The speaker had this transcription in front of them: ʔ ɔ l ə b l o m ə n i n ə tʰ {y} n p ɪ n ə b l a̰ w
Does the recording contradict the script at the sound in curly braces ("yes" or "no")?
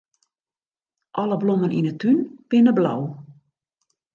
no